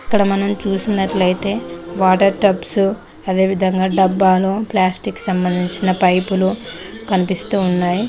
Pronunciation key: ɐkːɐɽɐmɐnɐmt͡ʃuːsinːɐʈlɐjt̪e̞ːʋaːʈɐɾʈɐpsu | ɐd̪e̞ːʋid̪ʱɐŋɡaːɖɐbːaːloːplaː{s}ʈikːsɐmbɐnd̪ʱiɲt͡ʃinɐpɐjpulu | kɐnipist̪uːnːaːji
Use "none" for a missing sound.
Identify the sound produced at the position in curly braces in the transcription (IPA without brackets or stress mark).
s